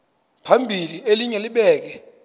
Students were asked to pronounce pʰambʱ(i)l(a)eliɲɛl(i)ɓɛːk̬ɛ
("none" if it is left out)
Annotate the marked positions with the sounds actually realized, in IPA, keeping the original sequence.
i, i, i

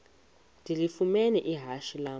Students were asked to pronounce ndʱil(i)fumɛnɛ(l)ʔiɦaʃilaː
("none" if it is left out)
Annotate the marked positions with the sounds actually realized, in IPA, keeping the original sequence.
i, none

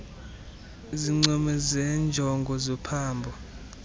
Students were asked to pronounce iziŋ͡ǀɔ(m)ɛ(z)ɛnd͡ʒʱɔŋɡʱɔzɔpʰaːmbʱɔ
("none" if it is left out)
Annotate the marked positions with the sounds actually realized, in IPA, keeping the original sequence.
m, z

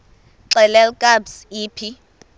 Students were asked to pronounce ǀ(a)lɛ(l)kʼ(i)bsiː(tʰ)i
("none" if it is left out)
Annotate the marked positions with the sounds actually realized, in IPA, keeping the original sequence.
ɛ, l, a, pʰ

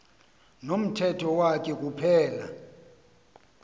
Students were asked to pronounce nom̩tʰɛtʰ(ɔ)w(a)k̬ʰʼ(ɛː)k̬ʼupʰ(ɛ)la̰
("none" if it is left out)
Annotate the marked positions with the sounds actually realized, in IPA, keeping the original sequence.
ɔ, a, ɛ, ɛː

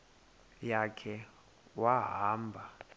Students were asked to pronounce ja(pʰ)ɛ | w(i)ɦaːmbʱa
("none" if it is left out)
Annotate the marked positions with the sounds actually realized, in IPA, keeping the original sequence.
kʰ, a

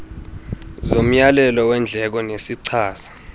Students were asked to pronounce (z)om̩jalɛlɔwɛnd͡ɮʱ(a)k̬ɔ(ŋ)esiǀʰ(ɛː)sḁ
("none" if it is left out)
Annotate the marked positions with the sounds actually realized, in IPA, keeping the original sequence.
z, ɛ, n, aː

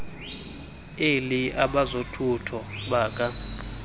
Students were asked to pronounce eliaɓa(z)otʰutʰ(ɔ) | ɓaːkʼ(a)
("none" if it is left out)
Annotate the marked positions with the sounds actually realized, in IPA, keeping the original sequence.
z, ɔ, a

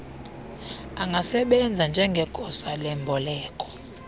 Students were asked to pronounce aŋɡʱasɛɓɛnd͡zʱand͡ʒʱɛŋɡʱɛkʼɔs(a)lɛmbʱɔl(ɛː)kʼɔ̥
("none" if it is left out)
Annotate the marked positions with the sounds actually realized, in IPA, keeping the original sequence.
a, ɛː

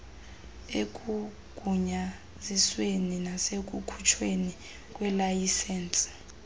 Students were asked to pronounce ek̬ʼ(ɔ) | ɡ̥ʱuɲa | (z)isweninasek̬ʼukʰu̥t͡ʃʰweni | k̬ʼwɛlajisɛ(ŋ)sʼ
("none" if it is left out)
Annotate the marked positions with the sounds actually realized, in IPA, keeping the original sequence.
u, z, n

